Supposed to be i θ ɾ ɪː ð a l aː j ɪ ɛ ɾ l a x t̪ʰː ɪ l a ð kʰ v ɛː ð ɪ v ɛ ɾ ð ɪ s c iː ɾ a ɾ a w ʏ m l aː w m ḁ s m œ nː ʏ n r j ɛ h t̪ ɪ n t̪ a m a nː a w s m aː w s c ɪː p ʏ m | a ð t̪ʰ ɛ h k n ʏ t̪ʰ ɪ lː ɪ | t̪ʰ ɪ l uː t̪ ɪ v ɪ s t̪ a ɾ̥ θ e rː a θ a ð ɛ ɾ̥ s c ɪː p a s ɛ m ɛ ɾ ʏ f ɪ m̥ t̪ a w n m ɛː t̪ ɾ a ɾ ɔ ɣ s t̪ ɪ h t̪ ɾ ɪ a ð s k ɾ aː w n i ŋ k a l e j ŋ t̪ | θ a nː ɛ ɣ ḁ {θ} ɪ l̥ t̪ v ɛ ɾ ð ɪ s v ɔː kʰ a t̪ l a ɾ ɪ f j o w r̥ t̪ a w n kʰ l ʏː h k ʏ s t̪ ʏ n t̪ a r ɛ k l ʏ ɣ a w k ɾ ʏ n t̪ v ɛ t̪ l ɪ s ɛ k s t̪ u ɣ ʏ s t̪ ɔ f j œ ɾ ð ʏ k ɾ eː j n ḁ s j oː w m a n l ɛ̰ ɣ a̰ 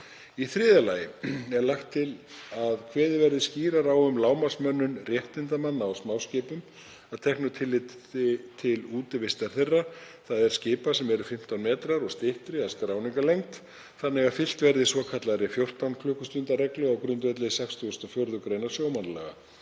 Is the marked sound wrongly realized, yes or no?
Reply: yes